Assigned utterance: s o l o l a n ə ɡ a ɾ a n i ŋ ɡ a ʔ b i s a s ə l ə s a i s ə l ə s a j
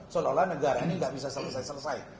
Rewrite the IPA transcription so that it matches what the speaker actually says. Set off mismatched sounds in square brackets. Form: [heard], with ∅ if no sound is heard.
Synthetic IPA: s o l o l a n ə ɡ a ɾ a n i ŋ ɡ a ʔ b i s a s ə l ə s a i s ə l ə s a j